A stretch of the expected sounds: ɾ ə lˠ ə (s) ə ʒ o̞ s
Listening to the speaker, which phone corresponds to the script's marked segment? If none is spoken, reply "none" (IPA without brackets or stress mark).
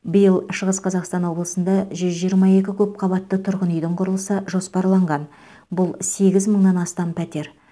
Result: s